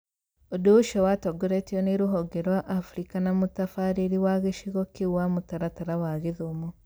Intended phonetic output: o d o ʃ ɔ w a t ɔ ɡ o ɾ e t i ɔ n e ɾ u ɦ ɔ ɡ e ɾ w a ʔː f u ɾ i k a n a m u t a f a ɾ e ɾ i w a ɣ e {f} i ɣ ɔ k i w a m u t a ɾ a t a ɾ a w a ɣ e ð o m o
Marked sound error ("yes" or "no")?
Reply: yes